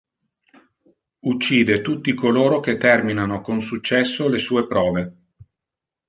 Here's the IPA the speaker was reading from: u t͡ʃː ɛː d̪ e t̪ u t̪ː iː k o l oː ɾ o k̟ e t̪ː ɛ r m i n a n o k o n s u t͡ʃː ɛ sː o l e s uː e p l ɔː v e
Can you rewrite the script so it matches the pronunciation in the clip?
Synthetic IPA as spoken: u t͡ʃː iː d̪ e t̪ u t̪ː i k o l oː ɾ o k̟ e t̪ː ɛ r m i n a n o k o n s u t͡ʃː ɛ sː o l e s uː e p ɾ ɔː v e